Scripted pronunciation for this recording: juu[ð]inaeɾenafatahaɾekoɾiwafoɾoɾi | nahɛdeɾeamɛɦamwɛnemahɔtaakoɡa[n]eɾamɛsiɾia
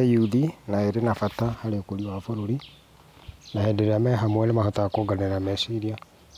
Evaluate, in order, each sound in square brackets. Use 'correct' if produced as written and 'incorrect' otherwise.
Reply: correct, correct

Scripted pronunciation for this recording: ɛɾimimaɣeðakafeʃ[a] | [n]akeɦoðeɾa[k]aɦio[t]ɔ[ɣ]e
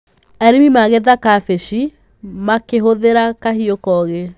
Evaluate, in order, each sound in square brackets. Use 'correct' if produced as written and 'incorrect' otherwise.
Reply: incorrect, incorrect, correct, incorrect, correct

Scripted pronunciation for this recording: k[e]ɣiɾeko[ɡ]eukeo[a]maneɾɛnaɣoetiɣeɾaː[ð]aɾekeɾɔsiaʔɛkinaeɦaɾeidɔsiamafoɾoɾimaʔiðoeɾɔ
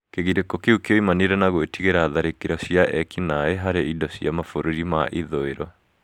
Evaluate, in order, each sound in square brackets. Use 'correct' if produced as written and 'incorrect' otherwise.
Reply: correct, incorrect, incorrect, correct

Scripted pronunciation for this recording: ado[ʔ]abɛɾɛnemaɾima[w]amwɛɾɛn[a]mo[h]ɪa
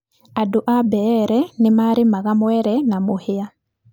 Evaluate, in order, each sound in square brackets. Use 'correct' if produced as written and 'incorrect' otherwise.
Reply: correct, incorrect, correct, correct

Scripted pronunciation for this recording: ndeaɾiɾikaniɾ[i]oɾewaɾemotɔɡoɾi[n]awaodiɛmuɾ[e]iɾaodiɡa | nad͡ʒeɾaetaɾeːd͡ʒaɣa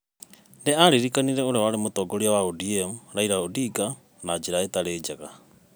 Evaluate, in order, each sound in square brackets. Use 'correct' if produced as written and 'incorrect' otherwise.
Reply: incorrect, incorrect, incorrect

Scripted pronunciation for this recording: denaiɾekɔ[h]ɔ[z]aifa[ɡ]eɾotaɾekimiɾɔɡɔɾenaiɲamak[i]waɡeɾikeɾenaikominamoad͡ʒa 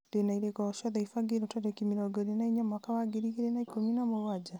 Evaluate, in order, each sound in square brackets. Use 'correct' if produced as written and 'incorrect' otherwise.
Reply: incorrect, incorrect, correct, incorrect

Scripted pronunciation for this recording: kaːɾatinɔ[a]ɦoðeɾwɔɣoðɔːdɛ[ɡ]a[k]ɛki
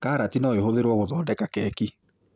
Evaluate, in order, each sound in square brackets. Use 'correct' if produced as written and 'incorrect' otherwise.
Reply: incorrect, incorrect, correct

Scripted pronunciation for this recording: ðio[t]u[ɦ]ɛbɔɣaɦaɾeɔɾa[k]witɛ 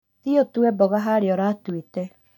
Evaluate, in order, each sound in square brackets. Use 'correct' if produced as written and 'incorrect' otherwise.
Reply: correct, incorrect, incorrect

